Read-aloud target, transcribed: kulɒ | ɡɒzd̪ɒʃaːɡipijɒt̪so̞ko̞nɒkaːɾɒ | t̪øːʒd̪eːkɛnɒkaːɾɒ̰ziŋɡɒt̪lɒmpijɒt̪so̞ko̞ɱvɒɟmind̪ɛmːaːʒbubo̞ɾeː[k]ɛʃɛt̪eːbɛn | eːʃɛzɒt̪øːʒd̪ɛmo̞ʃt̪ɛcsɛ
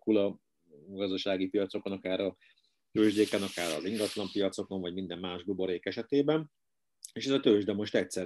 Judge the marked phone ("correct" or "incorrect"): correct